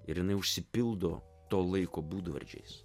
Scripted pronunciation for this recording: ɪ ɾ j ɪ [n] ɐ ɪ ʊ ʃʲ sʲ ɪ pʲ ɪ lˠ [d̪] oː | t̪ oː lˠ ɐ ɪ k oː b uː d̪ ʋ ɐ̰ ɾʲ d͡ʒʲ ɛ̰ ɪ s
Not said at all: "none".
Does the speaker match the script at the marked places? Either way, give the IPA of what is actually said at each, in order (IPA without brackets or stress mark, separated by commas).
n, d̪